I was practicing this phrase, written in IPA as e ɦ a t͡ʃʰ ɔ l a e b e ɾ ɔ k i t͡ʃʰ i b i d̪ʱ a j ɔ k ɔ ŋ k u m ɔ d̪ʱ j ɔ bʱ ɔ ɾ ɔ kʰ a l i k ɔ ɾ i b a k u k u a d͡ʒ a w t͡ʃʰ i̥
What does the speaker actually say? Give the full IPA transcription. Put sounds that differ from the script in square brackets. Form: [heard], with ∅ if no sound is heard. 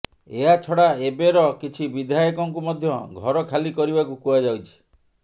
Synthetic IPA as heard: e ɦ a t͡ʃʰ ɔ [ɽ] a e b e ɾ ɔ k i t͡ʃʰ i b i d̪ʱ a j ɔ k ɔ ŋ k u m ɔ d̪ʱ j ɔ [ɡʱ] ɔ ɾ ɔ kʰ a l i k ɔ ɾ i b a k u k u a d͡ʒ a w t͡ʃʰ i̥